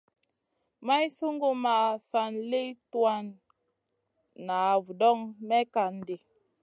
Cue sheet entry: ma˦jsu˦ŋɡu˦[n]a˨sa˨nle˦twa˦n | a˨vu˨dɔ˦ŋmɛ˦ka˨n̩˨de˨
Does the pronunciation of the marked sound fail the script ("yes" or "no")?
yes